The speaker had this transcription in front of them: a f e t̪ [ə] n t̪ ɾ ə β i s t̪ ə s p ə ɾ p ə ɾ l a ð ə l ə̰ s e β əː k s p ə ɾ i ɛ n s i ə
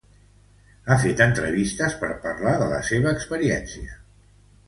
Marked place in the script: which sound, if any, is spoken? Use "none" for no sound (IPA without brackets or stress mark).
ə